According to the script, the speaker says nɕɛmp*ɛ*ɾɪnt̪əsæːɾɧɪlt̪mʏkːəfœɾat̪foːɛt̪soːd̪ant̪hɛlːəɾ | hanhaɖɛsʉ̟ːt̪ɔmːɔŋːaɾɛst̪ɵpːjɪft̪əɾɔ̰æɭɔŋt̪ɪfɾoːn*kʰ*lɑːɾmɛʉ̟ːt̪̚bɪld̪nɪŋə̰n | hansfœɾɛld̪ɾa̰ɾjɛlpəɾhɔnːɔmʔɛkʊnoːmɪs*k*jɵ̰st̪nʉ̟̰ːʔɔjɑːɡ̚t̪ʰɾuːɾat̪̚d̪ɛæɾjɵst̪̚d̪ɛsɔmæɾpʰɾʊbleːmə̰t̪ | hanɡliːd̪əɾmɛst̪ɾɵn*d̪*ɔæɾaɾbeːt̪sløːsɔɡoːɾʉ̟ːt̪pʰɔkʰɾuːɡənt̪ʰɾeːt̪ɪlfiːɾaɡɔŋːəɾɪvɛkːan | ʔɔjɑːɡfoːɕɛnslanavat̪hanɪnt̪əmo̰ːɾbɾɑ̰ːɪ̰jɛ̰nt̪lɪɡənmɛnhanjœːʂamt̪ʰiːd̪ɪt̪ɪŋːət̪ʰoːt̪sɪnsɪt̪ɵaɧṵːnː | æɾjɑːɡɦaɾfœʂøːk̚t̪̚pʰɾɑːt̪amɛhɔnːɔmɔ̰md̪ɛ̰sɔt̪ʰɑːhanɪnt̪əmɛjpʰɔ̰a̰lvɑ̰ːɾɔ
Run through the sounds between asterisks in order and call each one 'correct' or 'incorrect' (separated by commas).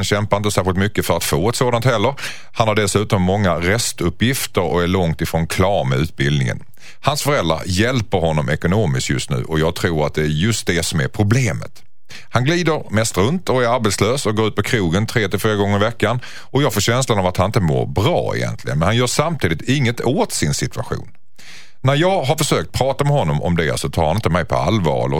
incorrect, correct, correct, incorrect